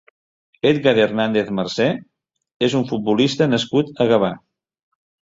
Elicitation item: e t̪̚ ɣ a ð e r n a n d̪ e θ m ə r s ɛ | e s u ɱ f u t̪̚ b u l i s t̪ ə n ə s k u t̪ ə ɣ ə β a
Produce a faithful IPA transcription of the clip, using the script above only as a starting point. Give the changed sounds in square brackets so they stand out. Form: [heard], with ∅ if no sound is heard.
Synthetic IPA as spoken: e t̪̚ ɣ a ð e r n a n d̪ e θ m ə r s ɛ | e [z] u ɱ f u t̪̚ b u l i s t̪ ə n ə s k u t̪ ə ɣ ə β a